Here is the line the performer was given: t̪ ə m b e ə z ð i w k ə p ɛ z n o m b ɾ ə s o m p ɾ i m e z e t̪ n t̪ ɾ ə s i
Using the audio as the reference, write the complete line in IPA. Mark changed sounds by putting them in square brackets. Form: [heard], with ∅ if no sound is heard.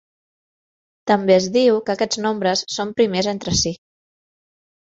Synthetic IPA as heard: t̪ ə m b e ə z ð i w k ə [k] ɛ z n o m b ɾ ə [sː] o m p ɾ i m e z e [∅] n t̪ ɾ ə s i